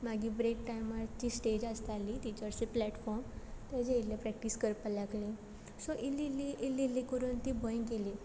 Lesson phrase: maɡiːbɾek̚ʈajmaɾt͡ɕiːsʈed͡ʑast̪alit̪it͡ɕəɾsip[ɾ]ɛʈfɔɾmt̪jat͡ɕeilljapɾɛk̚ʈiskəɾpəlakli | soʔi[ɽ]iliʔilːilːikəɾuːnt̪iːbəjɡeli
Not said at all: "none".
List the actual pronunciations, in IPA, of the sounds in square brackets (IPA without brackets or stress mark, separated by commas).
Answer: l, l